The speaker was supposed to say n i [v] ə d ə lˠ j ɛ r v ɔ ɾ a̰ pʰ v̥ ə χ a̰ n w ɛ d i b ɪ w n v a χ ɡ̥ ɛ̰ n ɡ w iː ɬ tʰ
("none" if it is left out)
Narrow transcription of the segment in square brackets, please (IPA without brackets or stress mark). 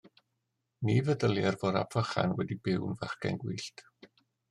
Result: v